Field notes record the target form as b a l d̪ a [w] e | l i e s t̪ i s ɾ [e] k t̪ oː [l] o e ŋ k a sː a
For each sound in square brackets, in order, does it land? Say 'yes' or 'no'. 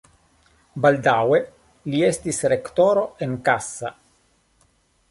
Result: yes, yes, no

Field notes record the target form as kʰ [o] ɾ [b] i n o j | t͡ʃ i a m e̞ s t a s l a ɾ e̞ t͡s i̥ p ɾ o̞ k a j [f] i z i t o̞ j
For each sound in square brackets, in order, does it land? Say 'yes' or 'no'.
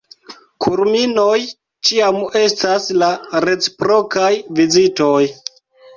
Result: no, no, no

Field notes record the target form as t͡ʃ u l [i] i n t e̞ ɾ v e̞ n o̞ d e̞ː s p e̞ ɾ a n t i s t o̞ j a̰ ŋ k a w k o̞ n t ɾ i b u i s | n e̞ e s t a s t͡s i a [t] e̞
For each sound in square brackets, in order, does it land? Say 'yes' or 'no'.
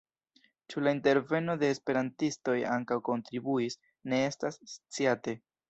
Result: no, yes

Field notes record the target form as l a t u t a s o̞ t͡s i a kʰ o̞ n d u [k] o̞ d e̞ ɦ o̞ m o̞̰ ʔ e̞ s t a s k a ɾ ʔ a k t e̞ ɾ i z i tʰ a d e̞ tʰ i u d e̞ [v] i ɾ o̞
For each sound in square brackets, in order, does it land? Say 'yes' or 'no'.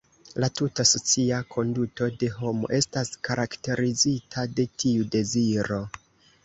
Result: no, no

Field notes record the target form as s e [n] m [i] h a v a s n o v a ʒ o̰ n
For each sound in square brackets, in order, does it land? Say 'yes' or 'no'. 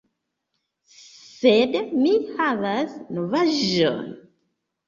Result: no, yes

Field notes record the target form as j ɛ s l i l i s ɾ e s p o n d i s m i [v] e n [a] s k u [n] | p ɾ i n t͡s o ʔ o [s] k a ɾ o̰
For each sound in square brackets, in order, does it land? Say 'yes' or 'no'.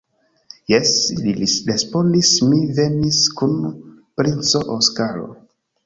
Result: yes, no, yes, yes

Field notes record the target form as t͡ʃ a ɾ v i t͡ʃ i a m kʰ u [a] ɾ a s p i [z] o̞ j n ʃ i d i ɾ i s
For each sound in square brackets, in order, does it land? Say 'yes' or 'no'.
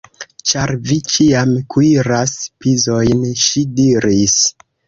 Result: no, yes

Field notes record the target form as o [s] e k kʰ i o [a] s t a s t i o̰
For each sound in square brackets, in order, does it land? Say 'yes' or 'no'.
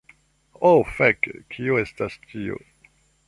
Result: no, no

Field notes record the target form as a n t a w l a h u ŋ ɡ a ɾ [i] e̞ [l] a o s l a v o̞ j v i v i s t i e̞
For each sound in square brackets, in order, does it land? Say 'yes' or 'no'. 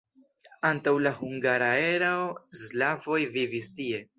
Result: no, no

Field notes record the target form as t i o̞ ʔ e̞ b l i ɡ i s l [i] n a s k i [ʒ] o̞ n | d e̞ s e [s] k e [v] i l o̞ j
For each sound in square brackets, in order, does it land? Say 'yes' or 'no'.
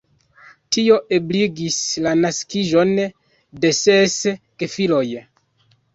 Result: no, yes, yes, no

